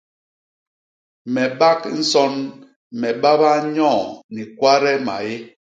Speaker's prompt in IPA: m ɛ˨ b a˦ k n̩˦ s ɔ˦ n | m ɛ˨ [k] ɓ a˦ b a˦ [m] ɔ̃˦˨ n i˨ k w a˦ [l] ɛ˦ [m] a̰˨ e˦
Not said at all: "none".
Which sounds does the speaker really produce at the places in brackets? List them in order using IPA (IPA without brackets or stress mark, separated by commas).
none, ɲ, ɾ, m